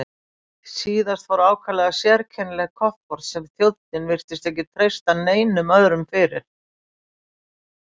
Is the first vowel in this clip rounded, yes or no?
no